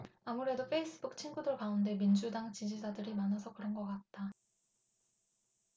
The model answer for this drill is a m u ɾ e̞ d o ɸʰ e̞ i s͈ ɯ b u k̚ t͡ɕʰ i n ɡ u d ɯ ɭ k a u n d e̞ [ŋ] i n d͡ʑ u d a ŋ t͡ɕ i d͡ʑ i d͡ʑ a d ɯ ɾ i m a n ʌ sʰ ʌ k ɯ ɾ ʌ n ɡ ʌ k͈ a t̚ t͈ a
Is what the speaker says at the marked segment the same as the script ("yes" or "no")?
no